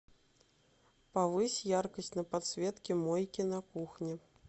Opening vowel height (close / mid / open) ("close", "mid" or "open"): open